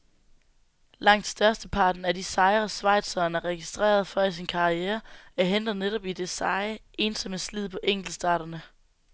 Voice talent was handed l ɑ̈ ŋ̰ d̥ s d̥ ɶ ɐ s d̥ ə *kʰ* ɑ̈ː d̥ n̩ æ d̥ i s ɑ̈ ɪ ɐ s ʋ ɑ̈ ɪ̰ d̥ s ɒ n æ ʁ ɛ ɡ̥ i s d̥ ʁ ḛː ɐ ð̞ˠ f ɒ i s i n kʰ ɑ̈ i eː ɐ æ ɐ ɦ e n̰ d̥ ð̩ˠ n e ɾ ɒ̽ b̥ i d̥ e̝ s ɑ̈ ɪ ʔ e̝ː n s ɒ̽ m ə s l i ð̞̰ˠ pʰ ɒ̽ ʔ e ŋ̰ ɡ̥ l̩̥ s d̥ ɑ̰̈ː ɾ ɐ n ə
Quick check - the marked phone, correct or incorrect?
incorrect